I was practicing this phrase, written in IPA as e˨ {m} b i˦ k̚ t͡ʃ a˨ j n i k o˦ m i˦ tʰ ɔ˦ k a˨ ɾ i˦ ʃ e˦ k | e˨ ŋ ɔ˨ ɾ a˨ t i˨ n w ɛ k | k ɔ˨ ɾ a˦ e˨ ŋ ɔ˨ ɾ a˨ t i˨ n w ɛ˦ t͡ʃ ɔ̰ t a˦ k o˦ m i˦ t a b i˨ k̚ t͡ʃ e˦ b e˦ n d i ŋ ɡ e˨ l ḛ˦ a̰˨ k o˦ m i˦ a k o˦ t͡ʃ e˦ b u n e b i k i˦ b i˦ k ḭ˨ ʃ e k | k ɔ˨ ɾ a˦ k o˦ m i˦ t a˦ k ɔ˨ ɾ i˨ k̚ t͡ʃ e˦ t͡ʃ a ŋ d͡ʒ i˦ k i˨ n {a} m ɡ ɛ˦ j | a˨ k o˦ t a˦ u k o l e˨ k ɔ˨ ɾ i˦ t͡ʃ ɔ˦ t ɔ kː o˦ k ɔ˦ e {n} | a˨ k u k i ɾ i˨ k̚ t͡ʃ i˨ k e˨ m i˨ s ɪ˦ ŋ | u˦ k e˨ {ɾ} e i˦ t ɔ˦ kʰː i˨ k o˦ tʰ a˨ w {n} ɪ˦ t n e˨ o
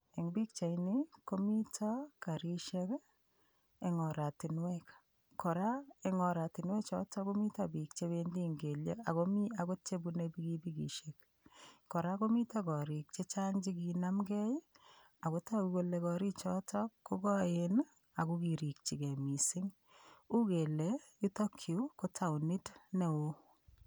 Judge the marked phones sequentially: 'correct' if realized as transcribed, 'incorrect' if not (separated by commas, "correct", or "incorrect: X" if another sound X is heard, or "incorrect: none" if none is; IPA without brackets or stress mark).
incorrect: ŋ, correct, correct, incorrect: l, correct